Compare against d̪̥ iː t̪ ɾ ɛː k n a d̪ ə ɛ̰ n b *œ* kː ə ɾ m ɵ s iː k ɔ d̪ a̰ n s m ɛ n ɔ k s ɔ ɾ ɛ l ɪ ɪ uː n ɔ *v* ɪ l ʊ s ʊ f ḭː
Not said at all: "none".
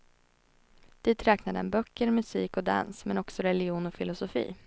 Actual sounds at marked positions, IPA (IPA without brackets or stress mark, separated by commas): œ, f